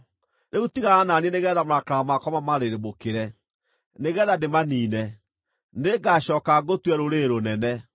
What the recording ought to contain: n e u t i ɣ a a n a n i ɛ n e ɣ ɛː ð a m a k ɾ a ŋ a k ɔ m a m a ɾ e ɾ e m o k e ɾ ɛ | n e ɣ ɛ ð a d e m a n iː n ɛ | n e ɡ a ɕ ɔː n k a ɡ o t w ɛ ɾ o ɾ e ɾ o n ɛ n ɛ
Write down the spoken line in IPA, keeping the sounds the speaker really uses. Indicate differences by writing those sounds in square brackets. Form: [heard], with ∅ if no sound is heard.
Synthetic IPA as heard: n e u t i ɣ a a n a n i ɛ n e ɣ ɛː ð a m a k ɾ a [m] a k ɔ m a m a ɾ e ɾ e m o k e ɾ ɛ | n e ɣ ɛ ð a d e m a n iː n ɛ | n e ɡ a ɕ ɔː [∅] k a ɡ o t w ɛ ɾ o ɾ e ɾ o n ɛ n ɛ